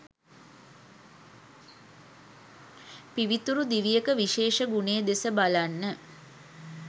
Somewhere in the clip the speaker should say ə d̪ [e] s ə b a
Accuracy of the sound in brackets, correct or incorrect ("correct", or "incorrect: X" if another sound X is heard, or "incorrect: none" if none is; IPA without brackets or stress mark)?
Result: correct